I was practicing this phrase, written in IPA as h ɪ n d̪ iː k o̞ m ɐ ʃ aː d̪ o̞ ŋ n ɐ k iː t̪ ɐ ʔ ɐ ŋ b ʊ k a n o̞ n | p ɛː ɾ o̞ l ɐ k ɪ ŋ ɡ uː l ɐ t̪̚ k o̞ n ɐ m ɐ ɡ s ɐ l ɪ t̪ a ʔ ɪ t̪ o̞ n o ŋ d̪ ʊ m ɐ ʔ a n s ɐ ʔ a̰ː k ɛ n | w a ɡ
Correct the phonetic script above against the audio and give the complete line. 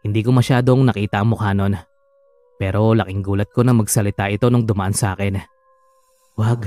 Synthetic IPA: h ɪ n d̪ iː k o̞ m ɐ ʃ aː d̪ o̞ ŋ n ɐ k iː t̪ ɐ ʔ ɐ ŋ m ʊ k a n o̞ n | p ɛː ɾ o̞ l ɐ k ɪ ŋ ɡ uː l ɐ t̪̚ k o̞ n ɐ m ɐ ɡ s ɐ l ɪ t̪ a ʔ ɪ t̪ o̞ n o ŋ d̪ ʊ m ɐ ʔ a n s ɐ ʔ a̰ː k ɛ n | w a ɡ